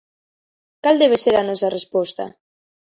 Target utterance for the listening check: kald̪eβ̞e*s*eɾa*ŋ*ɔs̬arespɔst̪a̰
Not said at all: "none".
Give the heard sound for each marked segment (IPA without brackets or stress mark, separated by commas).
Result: s, n